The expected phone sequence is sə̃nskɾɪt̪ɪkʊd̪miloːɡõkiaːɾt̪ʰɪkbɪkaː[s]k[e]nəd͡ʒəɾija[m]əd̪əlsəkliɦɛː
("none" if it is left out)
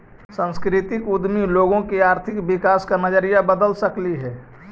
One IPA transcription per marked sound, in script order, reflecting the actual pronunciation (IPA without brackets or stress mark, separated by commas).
s, a, b